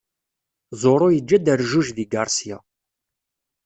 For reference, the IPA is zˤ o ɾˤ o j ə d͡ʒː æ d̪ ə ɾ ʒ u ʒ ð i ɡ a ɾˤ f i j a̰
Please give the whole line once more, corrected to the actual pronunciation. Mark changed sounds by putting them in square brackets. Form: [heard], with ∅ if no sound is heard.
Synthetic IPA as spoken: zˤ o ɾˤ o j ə d͡ʒː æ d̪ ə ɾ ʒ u ʒ ð i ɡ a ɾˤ [s] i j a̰

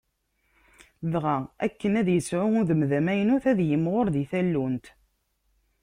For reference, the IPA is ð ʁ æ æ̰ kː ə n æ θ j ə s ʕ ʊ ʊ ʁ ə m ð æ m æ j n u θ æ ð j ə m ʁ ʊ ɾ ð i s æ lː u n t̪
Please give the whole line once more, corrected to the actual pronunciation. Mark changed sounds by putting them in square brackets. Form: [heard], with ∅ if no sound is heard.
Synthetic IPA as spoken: ð ʁ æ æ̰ kː ə n æ [ð] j ə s ʕ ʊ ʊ [ð] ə m ð æ m æ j n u θ æ ð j ə m ʁ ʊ ɾ ð i [θ] æ lː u n t̪

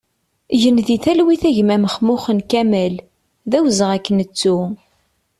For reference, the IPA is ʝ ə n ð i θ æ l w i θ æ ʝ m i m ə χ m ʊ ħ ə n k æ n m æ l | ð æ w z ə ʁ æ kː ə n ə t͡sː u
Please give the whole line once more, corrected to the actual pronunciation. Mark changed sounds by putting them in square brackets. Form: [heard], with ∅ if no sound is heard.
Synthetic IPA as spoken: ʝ ə n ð i θ æ l w i θ æ ʝ m [æ] m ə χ m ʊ [χ] ə n k æ [∅] m æ l | ð æ w z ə ʁ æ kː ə n ə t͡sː u

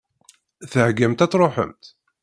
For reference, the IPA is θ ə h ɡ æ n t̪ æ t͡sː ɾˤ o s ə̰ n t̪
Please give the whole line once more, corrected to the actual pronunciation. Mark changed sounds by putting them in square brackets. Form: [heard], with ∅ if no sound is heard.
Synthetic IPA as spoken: θ ə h ɡ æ [m] t̪ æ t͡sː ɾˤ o [ħ] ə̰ [m] t̪

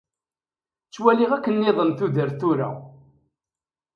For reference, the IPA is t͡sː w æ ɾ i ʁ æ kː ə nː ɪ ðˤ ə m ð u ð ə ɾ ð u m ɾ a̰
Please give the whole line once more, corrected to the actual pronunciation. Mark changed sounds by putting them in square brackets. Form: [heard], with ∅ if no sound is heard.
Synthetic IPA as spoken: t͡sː w æ [l] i ʁ æ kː ə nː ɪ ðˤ ə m [θ] u ð ə ɾ [θ] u [∅] ɾ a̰

